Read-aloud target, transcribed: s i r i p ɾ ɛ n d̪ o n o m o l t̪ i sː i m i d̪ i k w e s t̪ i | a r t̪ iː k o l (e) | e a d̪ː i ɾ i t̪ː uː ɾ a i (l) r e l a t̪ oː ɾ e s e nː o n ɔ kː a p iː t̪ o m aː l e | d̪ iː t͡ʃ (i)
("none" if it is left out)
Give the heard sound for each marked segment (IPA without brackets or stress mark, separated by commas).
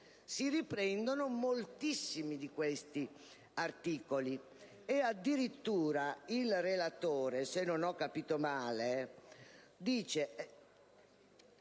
i, l, e